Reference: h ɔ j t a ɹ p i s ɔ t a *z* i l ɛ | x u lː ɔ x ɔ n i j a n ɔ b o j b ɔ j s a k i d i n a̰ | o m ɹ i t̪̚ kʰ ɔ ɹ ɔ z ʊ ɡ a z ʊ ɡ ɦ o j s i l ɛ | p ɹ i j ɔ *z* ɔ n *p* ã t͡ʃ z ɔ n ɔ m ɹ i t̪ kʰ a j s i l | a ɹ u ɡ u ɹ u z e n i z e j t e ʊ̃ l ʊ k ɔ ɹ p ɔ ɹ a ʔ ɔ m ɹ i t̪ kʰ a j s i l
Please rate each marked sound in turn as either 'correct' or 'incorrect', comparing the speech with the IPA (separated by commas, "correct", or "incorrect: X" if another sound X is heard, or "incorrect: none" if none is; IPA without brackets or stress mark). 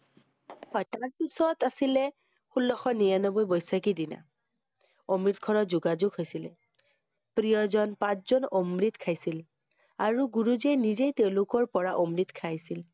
incorrect: s, correct, correct